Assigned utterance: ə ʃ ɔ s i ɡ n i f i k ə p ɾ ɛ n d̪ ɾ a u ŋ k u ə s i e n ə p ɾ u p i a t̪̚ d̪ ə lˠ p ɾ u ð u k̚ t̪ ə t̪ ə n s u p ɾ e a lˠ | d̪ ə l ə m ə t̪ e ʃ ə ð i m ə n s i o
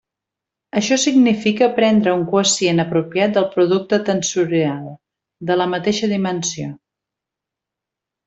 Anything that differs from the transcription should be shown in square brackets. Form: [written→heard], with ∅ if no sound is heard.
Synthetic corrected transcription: ə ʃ ɔ s i ɡ n i f i k ə p ɾ ɛ n d̪ ɾ [a→ə] u ŋ k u ə s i e n ə p ɾ u p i a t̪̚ d̪ ə lˠ p ɾ u ð u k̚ t̪ ə t̪ ə n s u [p→∅] ɾ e a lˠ | d̪ ə l ə m ə t̪ e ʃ ə ð i m ə n s i o